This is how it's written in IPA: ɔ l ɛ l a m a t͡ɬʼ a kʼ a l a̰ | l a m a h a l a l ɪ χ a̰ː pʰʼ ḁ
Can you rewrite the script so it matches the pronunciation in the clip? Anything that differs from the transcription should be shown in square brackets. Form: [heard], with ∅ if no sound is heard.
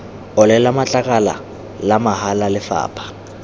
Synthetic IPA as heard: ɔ l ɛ l a m a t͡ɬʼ a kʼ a l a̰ | l a m a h a l a l ɪ [f] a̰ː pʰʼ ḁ

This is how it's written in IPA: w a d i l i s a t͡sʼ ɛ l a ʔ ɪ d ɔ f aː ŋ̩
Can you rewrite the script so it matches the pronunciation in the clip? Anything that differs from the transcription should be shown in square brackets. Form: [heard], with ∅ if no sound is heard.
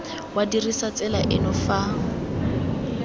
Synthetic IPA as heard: w a d i [r] i s a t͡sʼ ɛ l a ʔ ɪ [n] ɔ f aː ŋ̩

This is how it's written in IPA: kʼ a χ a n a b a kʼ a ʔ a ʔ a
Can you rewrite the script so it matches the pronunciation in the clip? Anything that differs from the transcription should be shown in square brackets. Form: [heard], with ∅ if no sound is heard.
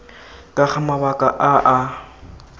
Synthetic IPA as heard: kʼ a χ a [m] a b a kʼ a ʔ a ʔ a

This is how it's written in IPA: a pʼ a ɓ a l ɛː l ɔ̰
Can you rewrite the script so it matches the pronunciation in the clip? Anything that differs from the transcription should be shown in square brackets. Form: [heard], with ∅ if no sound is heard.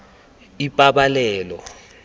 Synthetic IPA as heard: [i] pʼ a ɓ a l ɛː l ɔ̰

